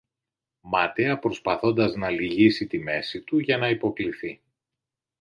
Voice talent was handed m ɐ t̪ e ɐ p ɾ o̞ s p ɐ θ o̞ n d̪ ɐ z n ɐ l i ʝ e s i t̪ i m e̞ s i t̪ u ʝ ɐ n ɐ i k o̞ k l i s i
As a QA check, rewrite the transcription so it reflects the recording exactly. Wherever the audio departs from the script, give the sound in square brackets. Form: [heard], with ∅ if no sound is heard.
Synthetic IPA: m ɐ t̪ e ɐ p ɾ o̞ s p ɐ θ o̞ n d̪ ɐ z n ɐ l i ʝ [i] s i t̪ i m e̞ s i t̪ u ʝ ɐ n ɐ i [p] o̞ k l i [θ] i

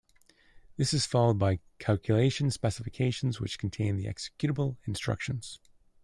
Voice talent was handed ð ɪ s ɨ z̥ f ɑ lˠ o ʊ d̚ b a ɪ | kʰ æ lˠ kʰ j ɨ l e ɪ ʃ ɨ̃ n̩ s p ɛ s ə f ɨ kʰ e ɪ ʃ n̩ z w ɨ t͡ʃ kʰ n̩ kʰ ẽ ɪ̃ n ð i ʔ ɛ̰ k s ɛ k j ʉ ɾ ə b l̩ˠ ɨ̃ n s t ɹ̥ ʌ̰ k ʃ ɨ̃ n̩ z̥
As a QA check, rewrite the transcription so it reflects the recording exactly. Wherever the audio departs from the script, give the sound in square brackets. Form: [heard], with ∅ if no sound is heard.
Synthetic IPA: ð ɪ s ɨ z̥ f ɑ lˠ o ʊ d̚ b a ɪ | kʰ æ lˠ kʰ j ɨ l e ɪ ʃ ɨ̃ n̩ s p ɛ s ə f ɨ kʰ e ɪ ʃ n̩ z w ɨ t͡ʃ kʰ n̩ [tʰ] ẽ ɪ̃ n ð i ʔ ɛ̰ k s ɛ k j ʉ ɾ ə b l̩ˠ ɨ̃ n s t ɹ̥ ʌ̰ k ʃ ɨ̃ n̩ z̥

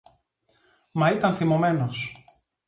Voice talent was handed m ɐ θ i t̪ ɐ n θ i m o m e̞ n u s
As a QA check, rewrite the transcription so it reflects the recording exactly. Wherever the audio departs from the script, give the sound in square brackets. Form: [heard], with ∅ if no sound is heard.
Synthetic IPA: m ɐ [∅] i t̪ ɐ n θ i m o m e̞ n [o] s

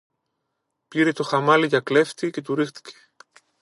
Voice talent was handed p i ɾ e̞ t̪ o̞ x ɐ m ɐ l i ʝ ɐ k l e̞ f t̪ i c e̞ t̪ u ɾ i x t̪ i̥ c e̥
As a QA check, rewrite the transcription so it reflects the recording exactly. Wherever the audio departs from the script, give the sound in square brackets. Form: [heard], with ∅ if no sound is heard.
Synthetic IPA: p i ɾ e̞ t̪ o̞ x ɐ m ɐ l i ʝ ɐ k l e̞ f t̪ i c e̞ t̪ u ɾ i x t̪ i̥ c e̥

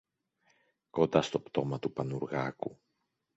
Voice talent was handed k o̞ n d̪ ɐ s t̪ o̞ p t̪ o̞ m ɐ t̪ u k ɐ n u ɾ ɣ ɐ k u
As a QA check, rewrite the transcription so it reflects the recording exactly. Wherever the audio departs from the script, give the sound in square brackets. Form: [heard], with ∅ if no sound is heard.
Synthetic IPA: k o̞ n d̪ ɐ s t̪ o̞ p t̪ o̞ m ɐ t̪ u [p] ɐ n u ɾ ɣ ɐ k u

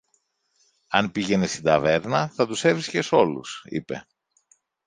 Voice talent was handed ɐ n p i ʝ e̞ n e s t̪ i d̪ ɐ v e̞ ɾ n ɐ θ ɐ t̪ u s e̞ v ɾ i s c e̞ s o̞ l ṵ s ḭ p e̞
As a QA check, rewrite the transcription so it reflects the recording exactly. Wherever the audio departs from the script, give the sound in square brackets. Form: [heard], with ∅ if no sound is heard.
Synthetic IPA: ɐ n p i ʝ e̞ n e s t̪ i d̪ ɐ v e̞ ɾ n ɐ θ ɐ t̪ u s e̞ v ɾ i s c e̞ s o̞ l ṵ s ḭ p e̞

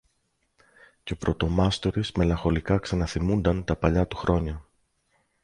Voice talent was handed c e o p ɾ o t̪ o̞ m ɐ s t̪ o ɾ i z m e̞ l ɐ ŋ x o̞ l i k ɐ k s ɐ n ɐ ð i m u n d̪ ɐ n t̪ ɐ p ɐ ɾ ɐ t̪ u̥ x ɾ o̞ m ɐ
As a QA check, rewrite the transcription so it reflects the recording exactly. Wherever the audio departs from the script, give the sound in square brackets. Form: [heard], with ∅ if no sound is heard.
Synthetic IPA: c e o p ɾ o t̪ o̞ m ɐ s t̪ o ɾ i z m e̞ l ɐ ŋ x o̞ l i k ɐ k s ɐ n ɐ [θ] i m u n d̪ ɐ n t̪ ɐ p ɐ [ʎ] ɐ t̪ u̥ x ɾ o̞ [ɲ] ɐ

